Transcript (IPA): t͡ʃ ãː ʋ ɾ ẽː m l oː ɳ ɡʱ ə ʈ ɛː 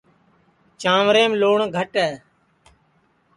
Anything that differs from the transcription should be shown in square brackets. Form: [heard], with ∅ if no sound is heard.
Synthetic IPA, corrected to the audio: t͡ʃ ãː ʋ ɾ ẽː m l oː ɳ ɡʱ ə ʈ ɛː